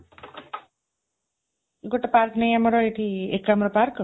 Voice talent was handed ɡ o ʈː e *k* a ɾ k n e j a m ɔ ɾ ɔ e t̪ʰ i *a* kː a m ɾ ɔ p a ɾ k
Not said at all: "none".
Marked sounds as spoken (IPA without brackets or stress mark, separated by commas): p, e